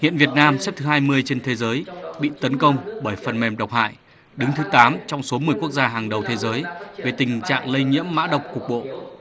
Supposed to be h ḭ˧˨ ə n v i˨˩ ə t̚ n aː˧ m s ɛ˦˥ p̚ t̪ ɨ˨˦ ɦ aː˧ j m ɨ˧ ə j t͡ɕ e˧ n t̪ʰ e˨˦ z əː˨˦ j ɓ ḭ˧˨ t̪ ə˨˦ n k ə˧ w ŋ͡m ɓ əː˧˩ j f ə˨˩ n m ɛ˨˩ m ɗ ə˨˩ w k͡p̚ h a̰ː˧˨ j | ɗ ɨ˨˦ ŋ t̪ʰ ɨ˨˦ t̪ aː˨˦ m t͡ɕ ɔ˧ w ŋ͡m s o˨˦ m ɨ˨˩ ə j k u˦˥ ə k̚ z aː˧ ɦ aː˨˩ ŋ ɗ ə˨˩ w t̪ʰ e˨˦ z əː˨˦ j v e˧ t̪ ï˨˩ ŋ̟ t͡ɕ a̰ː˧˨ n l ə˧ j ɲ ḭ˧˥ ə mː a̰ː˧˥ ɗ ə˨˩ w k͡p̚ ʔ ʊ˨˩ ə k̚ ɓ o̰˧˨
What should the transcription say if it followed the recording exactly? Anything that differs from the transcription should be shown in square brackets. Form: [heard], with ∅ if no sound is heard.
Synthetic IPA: h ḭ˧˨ ə n v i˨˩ ə t̚ n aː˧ m s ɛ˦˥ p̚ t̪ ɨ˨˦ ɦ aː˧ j m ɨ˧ ə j t͡ɕ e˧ n t̪ʰ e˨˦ z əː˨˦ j ɓ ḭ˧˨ t̪ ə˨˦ n k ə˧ w ŋ͡m ɓ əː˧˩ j f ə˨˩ n m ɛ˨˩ m ɗ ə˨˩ w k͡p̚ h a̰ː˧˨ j | ɗ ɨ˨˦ ŋ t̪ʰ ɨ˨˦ t̪ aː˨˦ m t͡ɕ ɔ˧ w ŋ͡m s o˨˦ m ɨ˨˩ ə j k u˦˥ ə k̚ z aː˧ ɦ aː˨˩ ŋ ɗ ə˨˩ w t̪ʰ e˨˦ z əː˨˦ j v [e˨˩] t̪ ï˨˩ ŋ̟ t͡ɕ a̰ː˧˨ [ŋ] l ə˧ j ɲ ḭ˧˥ ə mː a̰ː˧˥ ɗ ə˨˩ w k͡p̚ [k] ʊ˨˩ ə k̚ ɓ o̰˧˨

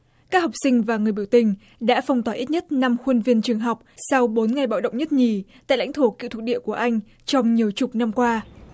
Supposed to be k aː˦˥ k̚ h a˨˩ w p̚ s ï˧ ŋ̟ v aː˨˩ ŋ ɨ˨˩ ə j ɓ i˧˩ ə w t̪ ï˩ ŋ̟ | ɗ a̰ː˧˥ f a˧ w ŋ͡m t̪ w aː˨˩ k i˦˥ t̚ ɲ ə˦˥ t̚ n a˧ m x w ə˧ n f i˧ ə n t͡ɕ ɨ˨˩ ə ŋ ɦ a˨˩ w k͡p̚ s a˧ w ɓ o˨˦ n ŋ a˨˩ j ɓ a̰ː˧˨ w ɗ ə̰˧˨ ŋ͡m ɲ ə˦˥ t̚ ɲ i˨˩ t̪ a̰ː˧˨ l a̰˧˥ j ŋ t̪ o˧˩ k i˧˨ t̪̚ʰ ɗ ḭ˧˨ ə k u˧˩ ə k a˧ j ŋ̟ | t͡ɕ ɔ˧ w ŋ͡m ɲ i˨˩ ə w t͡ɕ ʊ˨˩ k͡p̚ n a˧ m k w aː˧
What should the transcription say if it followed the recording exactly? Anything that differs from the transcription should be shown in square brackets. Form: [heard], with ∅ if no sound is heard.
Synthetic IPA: k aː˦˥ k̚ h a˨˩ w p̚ s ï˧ ŋ̟ v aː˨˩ ŋ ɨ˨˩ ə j ɓ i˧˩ ə w t̪ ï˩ ŋ̟ | ɗ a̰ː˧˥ f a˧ w ŋ͡m t̪ w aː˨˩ [ʔ] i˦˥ t̚ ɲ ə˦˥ t̚ n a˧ m x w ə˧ n [v] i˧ ə n t͡ɕ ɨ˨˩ ə ŋ ɦ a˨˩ w k͡p̚ s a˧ w ɓ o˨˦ n ŋ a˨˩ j ɓ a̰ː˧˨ w ɗ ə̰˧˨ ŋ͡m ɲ ə˦˥ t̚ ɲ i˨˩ t̪ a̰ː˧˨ l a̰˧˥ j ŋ [t̪ʰ] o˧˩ k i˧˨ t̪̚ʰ ɗ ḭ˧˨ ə k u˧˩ ə [ʔ] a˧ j ŋ̟ | t͡ɕ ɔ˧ w ŋ͡m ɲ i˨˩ ə w t͡ɕ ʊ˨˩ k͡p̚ n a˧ m k w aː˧

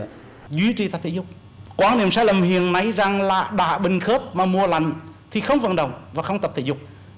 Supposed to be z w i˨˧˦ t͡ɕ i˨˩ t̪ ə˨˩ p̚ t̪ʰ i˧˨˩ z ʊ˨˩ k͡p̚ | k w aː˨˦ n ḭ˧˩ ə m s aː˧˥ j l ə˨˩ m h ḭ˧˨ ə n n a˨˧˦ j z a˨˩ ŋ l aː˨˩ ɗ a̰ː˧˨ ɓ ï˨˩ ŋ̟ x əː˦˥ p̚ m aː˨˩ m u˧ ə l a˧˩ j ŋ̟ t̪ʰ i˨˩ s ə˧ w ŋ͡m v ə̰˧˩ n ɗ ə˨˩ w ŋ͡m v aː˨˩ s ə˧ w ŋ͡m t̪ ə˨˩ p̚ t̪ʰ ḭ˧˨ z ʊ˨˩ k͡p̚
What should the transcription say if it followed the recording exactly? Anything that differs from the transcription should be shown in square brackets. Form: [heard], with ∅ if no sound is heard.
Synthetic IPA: z w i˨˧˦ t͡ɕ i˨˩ t̪ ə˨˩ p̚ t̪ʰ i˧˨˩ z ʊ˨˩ k͡p̚ | k w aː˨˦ n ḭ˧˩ ə m s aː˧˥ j l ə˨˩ m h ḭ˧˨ ə n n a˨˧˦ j z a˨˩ ŋ l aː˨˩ ɗ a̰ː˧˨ ɓ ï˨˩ ŋ̟ x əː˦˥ p̚ m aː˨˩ m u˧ ə l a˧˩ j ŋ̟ t̪ʰ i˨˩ [x] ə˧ w ŋ͡m v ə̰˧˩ n ɗ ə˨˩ w ŋ͡m v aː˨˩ [x] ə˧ w ŋ͡m t̪ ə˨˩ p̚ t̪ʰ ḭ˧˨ z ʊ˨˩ k͡p̚

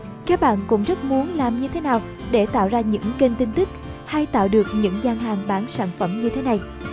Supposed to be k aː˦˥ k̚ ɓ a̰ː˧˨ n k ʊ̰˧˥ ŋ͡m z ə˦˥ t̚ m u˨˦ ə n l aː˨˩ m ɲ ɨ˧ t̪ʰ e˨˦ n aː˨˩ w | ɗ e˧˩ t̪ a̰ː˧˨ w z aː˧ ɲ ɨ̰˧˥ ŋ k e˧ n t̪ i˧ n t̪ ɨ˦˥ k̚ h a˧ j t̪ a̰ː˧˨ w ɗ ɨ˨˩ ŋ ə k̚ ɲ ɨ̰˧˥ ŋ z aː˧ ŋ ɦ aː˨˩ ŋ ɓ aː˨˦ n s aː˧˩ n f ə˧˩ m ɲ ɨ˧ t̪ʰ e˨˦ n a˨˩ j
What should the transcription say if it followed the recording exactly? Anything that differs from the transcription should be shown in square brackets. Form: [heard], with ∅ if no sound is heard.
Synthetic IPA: k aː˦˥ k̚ ɓ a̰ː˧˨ n k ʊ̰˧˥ ŋ͡m z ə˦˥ t̚ m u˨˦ ə n l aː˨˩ m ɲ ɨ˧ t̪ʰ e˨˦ n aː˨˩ w | ɗ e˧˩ t̪ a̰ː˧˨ w z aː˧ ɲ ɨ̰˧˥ ŋ k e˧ n t̪ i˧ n t̪ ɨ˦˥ k̚ h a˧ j t̪ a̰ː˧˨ w ɗ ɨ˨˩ [∅] ə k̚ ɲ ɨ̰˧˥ ŋ z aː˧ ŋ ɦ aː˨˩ ŋ ɓ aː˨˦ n s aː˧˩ n f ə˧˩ m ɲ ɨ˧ t̪ʰ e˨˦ n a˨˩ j

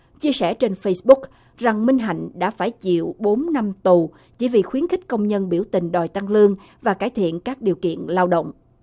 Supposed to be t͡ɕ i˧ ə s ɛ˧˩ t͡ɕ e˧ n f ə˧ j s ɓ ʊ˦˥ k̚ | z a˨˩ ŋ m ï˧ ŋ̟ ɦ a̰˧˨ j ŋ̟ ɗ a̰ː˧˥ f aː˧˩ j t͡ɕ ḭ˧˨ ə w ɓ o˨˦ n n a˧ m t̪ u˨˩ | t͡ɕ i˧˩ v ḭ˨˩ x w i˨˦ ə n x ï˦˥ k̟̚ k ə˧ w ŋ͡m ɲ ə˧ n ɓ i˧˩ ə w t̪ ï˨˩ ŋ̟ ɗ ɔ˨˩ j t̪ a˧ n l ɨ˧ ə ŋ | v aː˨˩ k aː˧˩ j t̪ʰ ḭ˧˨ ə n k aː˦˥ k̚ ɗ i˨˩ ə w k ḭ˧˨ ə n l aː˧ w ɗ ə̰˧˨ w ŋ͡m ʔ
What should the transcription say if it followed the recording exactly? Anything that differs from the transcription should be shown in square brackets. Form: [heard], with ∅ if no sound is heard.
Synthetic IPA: t͡ɕ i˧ ə s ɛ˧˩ t͡ɕ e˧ n f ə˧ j s ɓ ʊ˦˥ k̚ | z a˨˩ ŋ m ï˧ ŋ̟ ɦ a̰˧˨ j ŋ̟ ɗ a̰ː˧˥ f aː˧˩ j t͡ɕ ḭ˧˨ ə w ɓ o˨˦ n n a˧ m t̪ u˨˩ | t͡ɕ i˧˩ v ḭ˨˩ x w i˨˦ ə n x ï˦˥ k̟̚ k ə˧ w ŋ͡m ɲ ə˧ n ɓ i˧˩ ə w t̪ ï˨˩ ŋ̟ ɗ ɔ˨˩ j t̪ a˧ [ŋ] l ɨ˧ ə ŋ | v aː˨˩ k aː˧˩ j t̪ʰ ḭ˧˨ ə n k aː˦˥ k̚ ɗ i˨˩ ə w k ḭ˧˨ ə n l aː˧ w ɗ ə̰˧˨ w ŋ͡m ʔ

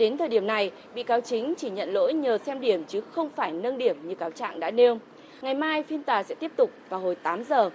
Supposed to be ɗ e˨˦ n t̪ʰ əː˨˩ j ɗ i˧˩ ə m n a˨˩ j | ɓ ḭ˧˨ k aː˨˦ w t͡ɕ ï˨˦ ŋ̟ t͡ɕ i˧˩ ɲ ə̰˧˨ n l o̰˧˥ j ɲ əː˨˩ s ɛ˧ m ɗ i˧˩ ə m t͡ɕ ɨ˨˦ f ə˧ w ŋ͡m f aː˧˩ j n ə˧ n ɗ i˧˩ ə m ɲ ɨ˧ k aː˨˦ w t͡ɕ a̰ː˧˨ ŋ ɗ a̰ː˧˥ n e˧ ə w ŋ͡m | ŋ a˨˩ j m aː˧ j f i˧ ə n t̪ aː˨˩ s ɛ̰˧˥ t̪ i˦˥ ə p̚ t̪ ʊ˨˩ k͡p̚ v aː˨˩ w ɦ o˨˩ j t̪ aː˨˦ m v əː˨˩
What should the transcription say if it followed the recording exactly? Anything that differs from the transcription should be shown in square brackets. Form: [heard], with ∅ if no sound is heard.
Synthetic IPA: ɗ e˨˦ n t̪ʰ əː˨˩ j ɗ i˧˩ ə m n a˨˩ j | ɓ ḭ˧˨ k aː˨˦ w t͡ɕ ï˨˦ ŋ̟ t͡ɕ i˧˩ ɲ ə̰˧˨ n l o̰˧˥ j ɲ əː˨˩ s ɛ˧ m ɗ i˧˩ ə m t͡ɕ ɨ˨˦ [x] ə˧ w ŋ͡m f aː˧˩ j n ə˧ n ɗ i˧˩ ə m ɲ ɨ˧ k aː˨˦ w t͡ɕ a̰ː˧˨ ŋ ɗ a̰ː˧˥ n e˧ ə w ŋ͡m | ŋ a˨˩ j m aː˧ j f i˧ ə n t̪ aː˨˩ s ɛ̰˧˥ t̪ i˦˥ ə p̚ t̪ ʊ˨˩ k͡p̚ v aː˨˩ w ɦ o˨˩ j t̪ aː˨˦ m [z] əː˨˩

